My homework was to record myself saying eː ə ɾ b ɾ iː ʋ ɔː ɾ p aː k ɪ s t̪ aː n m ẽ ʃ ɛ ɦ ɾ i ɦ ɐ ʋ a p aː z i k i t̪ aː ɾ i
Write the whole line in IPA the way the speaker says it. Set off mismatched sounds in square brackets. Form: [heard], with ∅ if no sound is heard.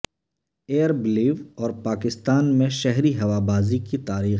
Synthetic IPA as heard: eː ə ɾ b [l] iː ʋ ɔː ɾ p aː k ɪ s t̪ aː n m ẽ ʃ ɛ ɦ ɾ i ɦ ɐ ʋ a [b] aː z i k i t̪ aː ɾ [iː]